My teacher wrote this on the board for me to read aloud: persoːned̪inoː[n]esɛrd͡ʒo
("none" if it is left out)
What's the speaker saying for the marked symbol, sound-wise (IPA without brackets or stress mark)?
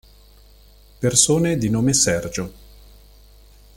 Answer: m